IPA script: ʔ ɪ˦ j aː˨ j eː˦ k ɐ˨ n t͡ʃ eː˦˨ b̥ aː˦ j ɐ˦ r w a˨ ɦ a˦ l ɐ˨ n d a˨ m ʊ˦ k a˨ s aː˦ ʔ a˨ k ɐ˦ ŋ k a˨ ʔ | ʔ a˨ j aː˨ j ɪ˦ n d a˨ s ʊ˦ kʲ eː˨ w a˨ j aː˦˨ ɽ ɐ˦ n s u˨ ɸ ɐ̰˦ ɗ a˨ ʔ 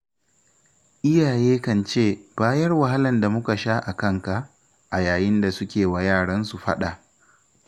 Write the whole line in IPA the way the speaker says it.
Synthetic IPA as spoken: ʔ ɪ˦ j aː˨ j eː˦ k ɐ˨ n t͡ʃ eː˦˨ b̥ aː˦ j ɐ˦ r w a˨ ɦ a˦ l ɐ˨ n d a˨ m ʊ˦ k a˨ ʃ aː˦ ʔ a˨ k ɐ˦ ŋ k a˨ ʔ | ʔ a˨ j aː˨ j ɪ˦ n d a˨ s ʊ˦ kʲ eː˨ w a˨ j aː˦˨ ɽ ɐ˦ n s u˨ ɸ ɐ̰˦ ɗ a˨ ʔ